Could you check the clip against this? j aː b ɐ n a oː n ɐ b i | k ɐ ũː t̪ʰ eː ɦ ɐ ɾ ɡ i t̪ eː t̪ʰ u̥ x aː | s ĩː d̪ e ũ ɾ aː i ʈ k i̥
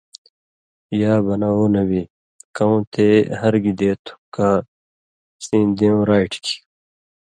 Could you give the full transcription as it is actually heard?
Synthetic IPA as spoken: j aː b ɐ n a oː n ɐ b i | k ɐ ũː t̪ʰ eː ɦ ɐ ɾ ɡ i d̪ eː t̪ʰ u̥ k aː | s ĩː d̪ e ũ ɾ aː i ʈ k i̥

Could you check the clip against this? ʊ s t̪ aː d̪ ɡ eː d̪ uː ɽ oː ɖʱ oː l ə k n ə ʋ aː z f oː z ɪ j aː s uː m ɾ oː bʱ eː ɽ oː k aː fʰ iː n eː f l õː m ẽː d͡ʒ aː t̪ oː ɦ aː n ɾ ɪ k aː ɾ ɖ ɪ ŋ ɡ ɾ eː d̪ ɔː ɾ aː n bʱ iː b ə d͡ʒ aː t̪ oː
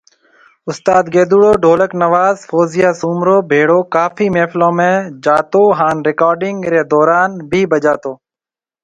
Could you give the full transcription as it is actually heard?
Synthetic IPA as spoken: ʊ s t̪ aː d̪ ɡ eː d̪ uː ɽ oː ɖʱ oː l ə k n ə ʋ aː z f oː z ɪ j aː s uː m ɾ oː bʱ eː ɽ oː k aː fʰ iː m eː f l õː m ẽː d͡ʒ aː t̪ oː ɦ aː n ɾ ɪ k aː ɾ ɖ ɪ ŋ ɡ ɾ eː d̪ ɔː ɾ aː n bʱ iː b ə d͡ʒ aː t̪ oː

